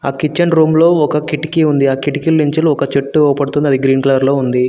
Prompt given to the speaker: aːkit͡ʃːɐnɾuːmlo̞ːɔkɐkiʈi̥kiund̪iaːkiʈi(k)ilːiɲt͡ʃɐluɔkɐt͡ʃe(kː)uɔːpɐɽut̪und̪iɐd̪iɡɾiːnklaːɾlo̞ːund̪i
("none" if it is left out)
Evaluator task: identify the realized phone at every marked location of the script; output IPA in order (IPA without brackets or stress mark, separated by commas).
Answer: k, ʈː